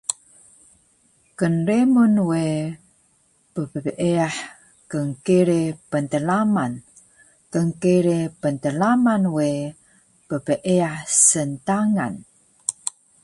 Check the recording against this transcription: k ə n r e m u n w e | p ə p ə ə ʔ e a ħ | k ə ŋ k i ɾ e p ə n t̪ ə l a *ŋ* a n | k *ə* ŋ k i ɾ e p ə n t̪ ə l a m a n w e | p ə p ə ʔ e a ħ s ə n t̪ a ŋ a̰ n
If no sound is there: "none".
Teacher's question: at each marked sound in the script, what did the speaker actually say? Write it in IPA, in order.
m, ə

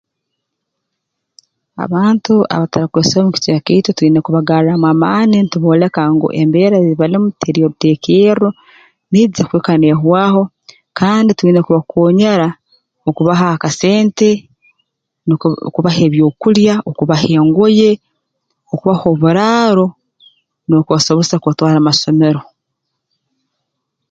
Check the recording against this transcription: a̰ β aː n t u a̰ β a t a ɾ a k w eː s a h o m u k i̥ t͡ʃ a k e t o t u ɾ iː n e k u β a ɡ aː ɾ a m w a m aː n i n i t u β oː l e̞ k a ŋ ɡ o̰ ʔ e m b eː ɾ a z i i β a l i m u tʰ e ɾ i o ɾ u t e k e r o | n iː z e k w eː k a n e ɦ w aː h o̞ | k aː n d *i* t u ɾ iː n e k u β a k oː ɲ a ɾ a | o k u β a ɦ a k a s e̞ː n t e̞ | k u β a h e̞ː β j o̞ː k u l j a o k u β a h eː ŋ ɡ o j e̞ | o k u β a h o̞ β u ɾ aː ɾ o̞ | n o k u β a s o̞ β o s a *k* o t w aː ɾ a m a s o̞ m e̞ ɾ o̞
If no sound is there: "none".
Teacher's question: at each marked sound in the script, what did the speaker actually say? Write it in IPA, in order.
i, k

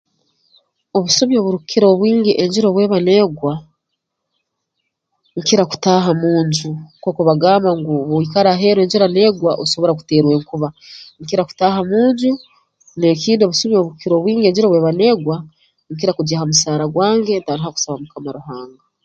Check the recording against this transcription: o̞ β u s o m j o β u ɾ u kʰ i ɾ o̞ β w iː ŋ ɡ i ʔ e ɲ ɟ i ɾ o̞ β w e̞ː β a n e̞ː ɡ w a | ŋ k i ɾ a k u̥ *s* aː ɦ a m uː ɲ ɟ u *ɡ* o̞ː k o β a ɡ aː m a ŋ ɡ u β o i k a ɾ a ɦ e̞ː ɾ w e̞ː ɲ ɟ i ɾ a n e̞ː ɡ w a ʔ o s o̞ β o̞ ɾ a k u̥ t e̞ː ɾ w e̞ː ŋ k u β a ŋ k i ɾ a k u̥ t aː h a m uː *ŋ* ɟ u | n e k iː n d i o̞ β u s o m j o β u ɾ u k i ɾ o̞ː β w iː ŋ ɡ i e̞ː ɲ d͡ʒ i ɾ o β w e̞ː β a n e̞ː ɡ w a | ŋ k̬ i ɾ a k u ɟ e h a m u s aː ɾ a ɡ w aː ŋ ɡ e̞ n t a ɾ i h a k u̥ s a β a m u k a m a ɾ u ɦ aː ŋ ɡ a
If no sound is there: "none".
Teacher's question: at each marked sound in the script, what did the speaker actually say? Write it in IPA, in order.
t, k, ɲ

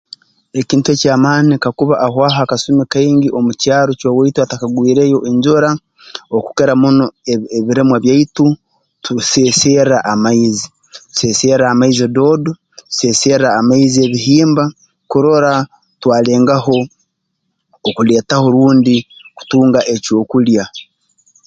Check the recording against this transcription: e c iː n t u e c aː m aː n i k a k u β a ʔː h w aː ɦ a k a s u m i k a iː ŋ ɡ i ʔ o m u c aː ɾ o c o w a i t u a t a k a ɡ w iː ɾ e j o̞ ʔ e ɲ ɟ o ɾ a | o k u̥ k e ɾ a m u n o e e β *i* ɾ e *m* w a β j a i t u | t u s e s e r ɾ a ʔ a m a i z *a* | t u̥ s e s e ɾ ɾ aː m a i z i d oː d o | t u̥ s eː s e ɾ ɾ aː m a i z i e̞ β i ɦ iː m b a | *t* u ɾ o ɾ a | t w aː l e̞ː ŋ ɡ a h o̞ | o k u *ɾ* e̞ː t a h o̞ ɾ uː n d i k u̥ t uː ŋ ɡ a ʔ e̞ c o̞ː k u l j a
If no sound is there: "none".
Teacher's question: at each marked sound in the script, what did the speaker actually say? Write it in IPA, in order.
i, m, i, k, l

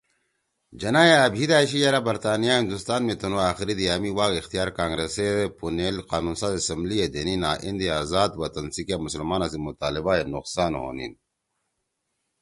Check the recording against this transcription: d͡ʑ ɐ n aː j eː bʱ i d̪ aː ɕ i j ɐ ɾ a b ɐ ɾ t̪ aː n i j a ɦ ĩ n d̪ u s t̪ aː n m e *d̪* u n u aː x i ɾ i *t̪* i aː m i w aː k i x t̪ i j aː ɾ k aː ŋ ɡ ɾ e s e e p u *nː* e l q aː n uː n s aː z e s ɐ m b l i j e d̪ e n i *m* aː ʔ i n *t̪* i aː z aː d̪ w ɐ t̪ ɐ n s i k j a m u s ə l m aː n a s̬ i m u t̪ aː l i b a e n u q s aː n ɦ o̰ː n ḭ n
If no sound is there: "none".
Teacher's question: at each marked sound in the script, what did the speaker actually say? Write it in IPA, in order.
t̪, d̪, n, n, d̪

